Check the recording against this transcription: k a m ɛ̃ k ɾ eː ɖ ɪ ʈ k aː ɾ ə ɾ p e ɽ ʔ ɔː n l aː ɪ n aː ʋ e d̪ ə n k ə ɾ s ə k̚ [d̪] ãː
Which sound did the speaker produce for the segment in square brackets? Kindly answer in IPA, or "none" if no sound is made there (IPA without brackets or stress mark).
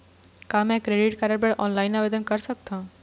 t̪